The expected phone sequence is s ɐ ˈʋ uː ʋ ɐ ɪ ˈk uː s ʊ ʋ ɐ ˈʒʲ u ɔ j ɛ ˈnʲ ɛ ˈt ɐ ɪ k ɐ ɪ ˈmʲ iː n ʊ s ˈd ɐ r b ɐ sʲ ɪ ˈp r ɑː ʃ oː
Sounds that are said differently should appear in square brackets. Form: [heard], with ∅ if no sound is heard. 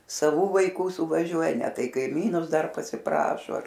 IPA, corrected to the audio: s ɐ ˈʋ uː ʋ ɐ ɪ ˈk uː s ʊ ʋ ɐ ˈʒʲ u ɔ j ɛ ˈnʲ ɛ ˈt ɐ ɪ k ɐ ɪ ˈmʲ iː n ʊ s ˈd ɐ r [p] ɐ sʲ ɪ ˈp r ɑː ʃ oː